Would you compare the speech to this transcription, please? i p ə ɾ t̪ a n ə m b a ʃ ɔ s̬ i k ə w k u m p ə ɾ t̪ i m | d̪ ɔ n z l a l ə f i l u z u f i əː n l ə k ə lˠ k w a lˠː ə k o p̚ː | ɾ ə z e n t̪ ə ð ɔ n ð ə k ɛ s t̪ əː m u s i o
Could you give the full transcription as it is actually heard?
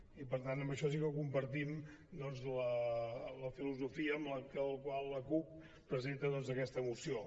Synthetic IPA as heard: i p ə ɾ t̪ a n ə m b ə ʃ ɔ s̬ i k ə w k u m p ə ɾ t̪ i m | d̪ ɔ n z l ə l ə f i l u z u f i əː m l ə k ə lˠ k w a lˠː ə k u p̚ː | ɾ ə z e n t̪ ə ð ɔ n z ə k ɛ s t̪ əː m u s i o